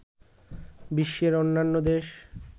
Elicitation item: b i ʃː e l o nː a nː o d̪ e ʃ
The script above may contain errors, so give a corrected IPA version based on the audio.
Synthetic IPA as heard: b i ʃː e ɾ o nː a nː o d̪ e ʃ